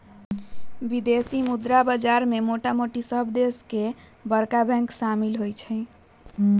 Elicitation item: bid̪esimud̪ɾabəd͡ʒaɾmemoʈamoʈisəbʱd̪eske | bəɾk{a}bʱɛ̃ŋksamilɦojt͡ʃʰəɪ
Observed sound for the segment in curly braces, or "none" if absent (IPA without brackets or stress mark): a